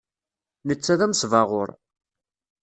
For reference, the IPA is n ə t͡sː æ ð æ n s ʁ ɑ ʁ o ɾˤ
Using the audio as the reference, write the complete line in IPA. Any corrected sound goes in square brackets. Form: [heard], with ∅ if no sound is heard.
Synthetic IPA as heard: n ə t͡sː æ ð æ [m] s [v] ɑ ʁ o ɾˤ